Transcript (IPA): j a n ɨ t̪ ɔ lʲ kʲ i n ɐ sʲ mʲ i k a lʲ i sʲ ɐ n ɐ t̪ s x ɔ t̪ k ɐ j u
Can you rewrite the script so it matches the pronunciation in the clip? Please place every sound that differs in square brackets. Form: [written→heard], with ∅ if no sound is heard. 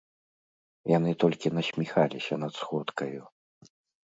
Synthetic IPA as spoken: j a n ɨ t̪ ɔ lʲ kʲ i n ɐ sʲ mʲ i [k→x] a lʲ i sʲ ɐ n ɐ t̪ s x ɔ t̪ k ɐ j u